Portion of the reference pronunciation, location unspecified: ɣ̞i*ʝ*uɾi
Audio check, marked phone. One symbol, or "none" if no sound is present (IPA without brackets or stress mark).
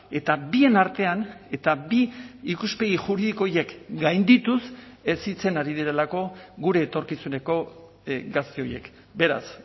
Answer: ʝ